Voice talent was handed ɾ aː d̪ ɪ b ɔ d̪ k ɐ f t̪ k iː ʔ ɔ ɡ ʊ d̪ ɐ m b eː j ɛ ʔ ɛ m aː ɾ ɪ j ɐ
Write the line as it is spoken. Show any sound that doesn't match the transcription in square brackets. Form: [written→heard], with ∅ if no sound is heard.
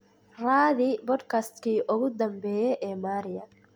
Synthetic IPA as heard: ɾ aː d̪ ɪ b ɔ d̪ k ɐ [f→s] t̪ k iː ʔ ɔ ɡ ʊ d̪ ɐ m b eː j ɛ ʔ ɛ m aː ɾ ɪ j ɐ